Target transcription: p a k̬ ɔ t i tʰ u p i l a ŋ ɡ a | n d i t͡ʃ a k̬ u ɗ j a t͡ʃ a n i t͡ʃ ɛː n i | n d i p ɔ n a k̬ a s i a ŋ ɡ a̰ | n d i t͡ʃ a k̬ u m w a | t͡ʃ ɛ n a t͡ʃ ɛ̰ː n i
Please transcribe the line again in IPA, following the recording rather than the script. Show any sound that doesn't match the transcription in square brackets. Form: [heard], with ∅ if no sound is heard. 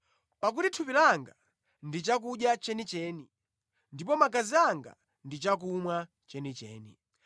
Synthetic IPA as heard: p a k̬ [u] t i tʰ u p i l a ŋ ɡ a | n d i t͡ʃ a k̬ u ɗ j a t͡ʃ [ɛ] n i t͡ʃ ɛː n i | n d i p ɔ [m] a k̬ a [z] i a ŋ ɡ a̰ | n d i t͡ʃ a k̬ u m w a | t͡ʃ ɛ n [i] t͡ʃ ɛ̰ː n i